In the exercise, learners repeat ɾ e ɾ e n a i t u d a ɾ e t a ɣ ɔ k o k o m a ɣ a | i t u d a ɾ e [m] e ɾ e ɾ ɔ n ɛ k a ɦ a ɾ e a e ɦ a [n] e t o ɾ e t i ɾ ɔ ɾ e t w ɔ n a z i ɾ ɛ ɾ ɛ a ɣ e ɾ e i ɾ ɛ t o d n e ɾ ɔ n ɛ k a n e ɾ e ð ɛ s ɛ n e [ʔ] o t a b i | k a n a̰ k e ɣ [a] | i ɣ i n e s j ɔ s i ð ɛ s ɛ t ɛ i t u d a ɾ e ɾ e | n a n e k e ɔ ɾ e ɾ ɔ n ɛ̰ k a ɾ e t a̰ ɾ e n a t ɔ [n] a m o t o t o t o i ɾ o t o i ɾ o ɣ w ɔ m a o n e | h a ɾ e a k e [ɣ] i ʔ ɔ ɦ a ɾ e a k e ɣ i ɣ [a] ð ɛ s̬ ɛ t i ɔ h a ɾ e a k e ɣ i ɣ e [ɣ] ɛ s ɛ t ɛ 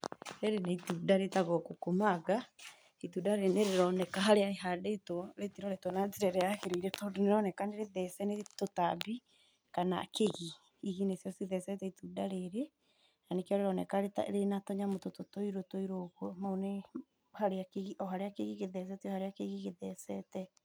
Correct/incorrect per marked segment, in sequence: incorrect: n, incorrect: d, incorrect: t, incorrect: i, incorrect: ɲ, correct, incorrect: e, incorrect: ð

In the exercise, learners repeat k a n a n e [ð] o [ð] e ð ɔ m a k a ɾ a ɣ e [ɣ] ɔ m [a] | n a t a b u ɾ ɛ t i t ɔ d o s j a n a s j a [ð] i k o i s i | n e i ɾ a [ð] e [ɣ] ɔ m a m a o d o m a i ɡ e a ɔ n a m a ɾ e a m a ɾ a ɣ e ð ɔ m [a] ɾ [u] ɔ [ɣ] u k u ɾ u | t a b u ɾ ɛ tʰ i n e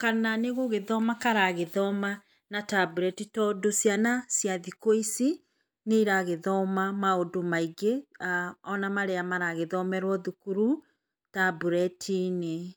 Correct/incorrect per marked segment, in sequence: incorrect: ɣ, incorrect: ɣ, incorrect: ð, correct, correct, incorrect: ɣ, incorrect: ð, incorrect: ɛ, incorrect: w, incorrect: ð

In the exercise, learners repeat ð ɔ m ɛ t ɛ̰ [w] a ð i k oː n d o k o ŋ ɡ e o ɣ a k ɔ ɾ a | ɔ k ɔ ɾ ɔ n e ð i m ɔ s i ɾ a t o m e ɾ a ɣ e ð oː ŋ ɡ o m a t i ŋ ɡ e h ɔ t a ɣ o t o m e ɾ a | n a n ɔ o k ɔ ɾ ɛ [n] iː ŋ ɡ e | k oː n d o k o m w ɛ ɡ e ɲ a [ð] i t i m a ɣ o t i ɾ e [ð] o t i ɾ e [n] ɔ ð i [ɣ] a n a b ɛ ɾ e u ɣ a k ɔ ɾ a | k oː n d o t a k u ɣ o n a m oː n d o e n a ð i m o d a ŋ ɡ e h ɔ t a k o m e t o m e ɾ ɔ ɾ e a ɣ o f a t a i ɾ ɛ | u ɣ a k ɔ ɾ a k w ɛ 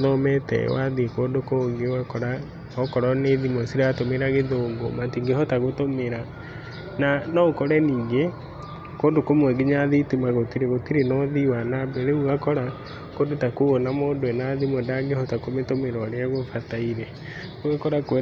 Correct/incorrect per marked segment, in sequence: correct, correct, correct, incorrect: ɣ, correct, incorrect: w

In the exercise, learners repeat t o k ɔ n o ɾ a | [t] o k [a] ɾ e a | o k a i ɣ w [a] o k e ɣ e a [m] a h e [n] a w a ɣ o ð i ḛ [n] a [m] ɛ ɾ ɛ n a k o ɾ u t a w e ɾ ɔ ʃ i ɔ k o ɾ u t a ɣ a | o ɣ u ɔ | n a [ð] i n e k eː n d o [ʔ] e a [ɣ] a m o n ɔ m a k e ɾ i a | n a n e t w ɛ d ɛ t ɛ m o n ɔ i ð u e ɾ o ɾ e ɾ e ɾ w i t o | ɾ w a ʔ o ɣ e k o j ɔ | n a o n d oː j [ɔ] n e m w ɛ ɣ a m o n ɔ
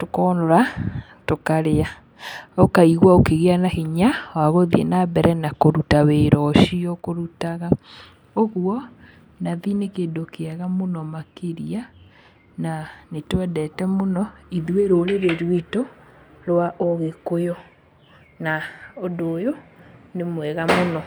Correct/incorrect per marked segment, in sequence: correct, correct, correct, incorrect: n, incorrect: ɲ, correct, incorrect: b, correct, incorrect: k, correct, incorrect: o

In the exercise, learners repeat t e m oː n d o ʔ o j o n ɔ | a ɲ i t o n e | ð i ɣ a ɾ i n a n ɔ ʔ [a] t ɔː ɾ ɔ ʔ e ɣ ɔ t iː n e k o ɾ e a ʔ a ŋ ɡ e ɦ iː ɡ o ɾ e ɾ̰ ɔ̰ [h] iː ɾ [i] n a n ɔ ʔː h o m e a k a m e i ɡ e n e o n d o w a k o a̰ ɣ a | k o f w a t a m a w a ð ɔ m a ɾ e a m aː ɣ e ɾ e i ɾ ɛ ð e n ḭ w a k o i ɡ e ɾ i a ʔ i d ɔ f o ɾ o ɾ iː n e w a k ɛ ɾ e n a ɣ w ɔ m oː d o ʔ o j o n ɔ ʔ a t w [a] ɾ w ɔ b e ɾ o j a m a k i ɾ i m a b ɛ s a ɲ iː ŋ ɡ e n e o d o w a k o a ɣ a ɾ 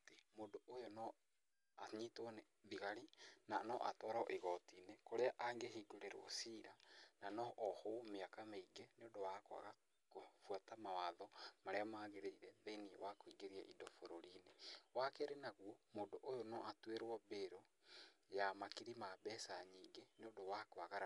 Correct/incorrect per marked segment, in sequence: correct, incorrect: s, incorrect: a, incorrect: e

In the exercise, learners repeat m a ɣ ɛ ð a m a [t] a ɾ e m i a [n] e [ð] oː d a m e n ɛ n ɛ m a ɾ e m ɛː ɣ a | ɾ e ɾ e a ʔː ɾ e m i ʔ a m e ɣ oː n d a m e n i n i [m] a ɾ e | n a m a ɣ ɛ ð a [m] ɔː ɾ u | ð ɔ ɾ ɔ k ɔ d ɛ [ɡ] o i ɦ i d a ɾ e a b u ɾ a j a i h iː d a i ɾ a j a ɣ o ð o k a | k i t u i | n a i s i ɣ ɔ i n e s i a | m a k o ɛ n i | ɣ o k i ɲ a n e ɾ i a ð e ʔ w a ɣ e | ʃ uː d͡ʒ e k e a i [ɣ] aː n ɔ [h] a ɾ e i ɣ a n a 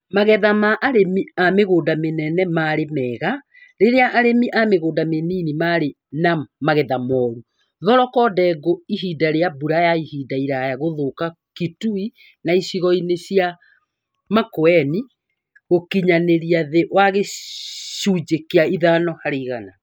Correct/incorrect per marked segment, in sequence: incorrect: ʔ, incorrect: m, incorrect: ɣ, correct, correct, correct, incorrect: ð, correct

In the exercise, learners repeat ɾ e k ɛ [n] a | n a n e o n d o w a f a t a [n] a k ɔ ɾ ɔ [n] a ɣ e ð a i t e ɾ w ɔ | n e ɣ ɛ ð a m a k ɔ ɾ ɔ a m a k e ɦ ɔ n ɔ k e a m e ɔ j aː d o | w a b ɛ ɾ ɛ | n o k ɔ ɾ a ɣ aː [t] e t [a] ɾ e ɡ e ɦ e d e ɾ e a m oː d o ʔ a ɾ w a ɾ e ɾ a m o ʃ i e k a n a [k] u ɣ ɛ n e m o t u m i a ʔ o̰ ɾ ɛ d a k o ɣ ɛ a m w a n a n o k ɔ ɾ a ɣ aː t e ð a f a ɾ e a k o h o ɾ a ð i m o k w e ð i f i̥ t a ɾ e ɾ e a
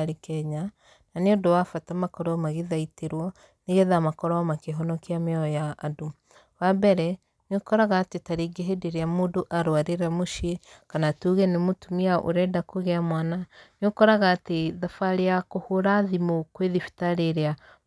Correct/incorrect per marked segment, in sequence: incorrect: ɲ, incorrect: m, incorrect: m, correct, correct, incorrect: t

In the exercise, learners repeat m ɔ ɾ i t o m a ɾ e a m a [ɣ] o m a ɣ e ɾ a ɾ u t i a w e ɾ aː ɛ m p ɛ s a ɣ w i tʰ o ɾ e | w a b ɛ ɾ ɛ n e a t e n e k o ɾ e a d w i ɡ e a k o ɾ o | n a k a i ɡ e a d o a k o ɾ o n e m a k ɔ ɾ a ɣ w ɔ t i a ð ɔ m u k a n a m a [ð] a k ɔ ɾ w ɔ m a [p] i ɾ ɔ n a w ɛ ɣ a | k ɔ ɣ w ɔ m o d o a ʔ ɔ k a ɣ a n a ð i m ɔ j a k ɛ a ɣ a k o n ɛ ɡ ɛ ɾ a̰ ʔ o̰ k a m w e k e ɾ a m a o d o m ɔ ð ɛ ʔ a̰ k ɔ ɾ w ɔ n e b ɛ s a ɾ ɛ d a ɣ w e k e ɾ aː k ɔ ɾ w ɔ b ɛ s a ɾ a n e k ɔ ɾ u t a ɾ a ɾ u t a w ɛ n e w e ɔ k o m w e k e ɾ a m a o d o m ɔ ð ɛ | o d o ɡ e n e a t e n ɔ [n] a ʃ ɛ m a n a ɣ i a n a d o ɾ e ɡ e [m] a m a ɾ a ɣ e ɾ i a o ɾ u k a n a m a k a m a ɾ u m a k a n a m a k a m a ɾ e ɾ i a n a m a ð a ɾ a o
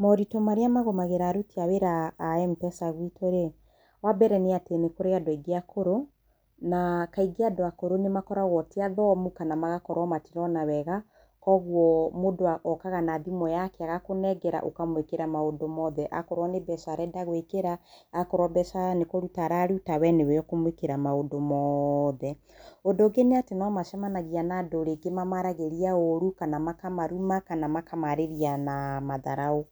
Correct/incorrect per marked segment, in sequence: correct, incorrect: ɣ, incorrect: t, incorrect: m, correct

